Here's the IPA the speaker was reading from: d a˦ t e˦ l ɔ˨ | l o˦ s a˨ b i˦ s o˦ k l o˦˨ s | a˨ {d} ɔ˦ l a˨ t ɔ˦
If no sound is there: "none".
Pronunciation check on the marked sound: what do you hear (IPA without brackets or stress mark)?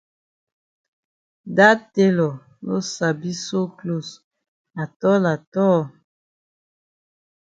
t